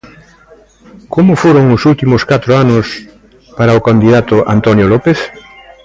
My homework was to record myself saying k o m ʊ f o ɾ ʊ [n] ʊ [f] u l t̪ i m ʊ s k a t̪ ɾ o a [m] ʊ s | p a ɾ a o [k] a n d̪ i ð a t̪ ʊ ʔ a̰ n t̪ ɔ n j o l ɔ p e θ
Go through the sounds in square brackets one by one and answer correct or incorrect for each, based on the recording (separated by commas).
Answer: incorrect, incorrect, incorrect, correct